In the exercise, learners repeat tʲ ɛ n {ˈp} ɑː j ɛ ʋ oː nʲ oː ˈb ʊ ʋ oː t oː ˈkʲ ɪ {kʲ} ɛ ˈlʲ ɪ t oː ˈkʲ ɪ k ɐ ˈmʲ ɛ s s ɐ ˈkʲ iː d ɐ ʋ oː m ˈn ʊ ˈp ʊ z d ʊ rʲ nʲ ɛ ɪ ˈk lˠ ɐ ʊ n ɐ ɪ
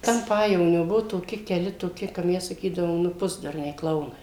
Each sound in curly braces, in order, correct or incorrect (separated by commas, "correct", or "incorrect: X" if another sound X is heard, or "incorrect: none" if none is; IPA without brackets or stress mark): correct, correct